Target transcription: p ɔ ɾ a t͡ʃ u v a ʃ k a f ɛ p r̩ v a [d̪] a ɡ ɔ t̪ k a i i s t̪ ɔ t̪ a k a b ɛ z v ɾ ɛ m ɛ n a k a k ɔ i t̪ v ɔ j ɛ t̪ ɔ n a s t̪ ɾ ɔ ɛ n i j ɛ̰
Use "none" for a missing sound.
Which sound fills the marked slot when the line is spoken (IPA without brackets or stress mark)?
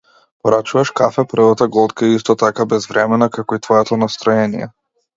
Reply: t̪